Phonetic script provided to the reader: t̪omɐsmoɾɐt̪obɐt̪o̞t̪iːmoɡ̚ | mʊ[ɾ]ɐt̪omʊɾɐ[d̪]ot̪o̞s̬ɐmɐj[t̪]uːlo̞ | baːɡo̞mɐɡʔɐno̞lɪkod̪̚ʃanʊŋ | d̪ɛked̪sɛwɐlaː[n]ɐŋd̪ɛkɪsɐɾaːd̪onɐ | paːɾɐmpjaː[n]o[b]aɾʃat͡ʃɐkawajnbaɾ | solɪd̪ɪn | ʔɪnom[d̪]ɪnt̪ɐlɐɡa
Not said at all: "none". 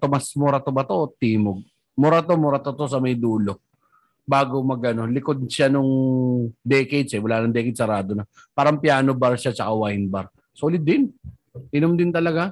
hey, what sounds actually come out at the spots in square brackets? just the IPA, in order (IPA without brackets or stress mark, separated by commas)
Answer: ɾ, t̪, d̪, n, n, b, d̪